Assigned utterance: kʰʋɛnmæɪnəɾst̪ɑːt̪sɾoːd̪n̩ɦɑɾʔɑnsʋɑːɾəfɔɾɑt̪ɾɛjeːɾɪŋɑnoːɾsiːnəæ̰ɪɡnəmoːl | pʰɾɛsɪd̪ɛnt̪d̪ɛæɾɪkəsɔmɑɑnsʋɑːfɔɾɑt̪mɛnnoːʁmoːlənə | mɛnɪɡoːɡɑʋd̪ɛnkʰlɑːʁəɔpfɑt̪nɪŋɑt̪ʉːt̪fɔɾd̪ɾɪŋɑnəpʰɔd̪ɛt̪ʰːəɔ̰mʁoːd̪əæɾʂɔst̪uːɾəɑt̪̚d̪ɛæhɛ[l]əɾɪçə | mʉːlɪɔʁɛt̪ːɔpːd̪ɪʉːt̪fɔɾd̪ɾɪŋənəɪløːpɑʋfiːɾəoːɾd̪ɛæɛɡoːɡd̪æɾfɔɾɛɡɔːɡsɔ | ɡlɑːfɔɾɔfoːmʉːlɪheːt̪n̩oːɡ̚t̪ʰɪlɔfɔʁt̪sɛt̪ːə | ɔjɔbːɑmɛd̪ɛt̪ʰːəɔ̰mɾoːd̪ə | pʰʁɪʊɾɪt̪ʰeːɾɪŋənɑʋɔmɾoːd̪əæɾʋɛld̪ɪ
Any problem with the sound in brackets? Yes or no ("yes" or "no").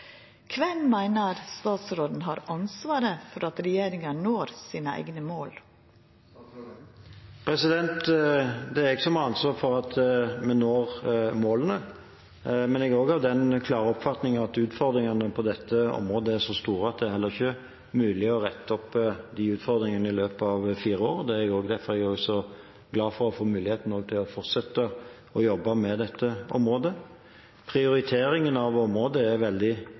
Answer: yes